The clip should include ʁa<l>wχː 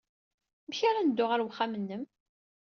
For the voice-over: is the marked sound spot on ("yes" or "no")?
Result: no